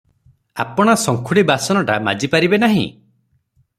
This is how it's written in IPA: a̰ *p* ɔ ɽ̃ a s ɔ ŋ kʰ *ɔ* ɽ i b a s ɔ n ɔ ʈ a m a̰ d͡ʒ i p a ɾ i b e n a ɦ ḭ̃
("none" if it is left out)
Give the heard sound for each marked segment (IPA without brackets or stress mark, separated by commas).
p, u